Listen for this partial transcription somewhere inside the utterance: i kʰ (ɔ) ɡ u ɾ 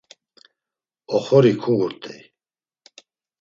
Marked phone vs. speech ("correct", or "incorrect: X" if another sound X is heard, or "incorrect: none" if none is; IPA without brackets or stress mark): incorrect: u